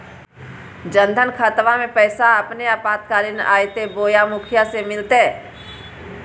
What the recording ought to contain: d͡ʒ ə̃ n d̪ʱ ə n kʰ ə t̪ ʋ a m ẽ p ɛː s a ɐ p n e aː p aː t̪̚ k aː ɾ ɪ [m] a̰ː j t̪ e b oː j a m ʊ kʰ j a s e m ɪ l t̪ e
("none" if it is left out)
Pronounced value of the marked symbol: n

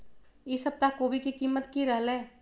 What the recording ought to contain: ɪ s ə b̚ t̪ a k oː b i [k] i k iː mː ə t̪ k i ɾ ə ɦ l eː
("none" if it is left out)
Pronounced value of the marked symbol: k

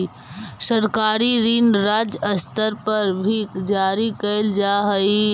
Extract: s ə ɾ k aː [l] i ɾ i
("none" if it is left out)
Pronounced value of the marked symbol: ɾ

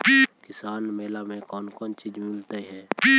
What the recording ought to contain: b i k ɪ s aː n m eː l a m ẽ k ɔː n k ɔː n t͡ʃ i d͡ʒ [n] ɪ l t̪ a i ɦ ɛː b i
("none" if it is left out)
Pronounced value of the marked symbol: m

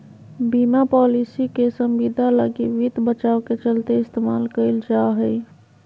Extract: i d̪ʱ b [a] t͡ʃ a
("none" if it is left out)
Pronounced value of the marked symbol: ə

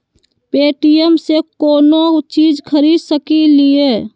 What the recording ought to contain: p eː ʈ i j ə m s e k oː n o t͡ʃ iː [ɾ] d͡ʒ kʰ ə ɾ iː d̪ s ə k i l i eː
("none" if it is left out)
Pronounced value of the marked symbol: none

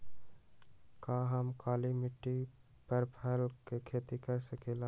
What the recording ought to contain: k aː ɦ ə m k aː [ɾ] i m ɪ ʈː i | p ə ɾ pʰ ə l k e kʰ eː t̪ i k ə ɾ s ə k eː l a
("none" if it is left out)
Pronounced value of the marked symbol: l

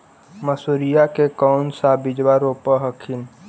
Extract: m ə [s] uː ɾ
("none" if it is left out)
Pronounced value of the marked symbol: s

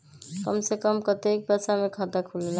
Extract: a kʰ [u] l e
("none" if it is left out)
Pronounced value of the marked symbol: u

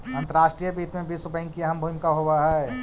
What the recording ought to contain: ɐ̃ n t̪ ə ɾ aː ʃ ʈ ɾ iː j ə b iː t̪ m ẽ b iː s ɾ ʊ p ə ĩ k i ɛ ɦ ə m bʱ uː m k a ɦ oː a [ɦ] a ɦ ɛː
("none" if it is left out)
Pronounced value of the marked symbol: ɦ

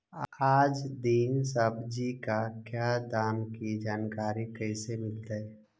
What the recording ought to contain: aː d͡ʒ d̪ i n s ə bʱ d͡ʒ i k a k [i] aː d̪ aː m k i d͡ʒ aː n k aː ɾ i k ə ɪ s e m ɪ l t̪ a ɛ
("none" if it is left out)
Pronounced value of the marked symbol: j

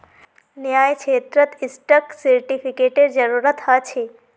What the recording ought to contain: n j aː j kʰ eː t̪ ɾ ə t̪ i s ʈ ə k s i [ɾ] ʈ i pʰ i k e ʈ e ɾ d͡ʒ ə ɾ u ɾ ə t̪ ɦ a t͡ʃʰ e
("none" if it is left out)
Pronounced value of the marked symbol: ɾ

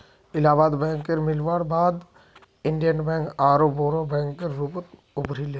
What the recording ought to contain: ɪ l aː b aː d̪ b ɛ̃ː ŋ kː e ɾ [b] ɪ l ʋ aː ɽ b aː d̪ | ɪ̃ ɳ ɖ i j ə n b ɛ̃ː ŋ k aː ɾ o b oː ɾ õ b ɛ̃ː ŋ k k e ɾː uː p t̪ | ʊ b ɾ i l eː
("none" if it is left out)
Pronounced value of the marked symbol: m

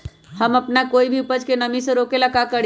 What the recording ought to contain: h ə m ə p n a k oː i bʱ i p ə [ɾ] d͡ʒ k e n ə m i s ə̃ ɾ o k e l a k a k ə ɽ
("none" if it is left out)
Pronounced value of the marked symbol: none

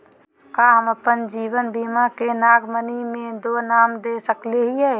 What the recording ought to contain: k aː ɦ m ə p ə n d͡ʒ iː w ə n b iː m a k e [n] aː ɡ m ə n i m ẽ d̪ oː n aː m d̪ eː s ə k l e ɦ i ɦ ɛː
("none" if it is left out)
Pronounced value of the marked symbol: n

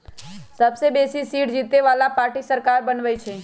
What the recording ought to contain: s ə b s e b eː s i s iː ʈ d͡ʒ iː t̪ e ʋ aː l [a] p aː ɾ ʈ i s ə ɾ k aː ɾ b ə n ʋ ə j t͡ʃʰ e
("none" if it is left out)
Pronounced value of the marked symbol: a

